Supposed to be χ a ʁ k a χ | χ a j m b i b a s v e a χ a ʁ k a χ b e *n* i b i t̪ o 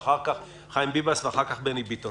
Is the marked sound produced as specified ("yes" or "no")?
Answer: yes